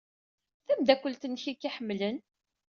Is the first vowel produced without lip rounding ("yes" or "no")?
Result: yes